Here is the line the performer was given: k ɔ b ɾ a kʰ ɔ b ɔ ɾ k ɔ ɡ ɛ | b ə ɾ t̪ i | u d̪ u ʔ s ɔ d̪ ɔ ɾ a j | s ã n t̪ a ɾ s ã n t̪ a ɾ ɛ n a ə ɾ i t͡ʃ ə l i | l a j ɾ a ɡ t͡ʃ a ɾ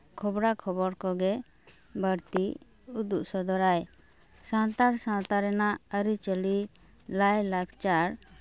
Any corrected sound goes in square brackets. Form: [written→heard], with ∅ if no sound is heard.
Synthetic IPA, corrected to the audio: [k→kʰ] ɔ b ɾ a kʰ ɔ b ɔ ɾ k ɔ ɡ ɛ | b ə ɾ t̪ i | u d̪ u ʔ s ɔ d̪ ɔ ɾ a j | s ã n t̪ a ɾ s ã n t̪ a ɾ ɛ n a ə ɾ i t͡ʃ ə l i | l a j [ɾ→l] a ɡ t͡ʃ a ɾ